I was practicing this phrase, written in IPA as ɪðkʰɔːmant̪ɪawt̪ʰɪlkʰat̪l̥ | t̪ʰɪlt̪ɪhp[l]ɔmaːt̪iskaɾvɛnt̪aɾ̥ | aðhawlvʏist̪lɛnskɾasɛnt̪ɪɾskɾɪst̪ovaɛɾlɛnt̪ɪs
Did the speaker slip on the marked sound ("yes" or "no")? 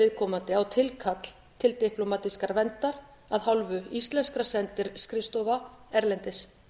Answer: no